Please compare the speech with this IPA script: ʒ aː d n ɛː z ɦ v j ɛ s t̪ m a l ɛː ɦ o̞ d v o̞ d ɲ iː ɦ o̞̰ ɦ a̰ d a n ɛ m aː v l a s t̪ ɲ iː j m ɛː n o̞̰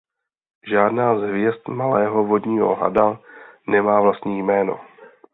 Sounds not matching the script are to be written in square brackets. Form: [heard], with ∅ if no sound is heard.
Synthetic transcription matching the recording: ʒ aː d n [aː] z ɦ v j ɛ s t̪ m a l ɛː ɦ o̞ [∅] v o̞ d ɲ iː ɦ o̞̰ ɦ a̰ d a n ɛ m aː v l a s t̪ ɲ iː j m ɛː n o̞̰